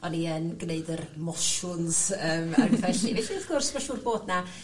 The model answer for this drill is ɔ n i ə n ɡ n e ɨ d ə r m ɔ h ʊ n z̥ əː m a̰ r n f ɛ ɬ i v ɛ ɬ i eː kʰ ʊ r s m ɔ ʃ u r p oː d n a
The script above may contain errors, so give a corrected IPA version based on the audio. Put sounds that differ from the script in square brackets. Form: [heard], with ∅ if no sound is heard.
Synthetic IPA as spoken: ɔ n i ə n ɡ n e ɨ d ə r m ɔ [ʃ] ʊ n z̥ əː m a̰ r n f ɛ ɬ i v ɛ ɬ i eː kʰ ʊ r s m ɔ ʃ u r [b] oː d n a